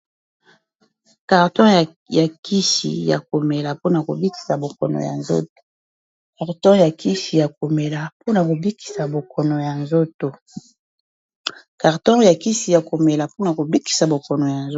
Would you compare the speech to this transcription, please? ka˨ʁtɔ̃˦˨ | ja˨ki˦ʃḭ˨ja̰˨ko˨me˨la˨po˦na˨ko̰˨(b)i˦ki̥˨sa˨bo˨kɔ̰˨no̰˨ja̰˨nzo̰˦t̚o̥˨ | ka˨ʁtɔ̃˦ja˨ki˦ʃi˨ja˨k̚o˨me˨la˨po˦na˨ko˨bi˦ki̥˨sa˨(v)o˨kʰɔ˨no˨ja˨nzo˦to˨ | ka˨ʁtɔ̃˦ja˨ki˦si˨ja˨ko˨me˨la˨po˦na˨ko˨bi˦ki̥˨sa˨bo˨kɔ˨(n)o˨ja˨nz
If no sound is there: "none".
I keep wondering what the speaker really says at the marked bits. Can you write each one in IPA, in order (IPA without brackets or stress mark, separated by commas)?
b, b, n